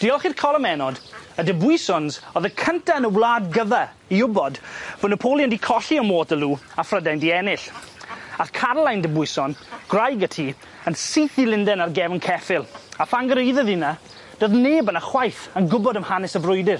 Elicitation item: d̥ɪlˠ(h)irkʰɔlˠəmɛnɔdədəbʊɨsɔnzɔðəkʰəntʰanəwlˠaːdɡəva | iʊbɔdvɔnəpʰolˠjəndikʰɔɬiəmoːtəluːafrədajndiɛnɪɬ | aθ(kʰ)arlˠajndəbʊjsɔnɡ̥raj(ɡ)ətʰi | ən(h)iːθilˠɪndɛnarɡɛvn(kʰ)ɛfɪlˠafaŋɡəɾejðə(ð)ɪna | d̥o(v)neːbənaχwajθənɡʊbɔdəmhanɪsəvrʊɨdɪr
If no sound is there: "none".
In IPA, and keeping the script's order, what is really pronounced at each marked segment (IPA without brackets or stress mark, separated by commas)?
χ, kʰ, ɡ, s, kʰ, ð, ð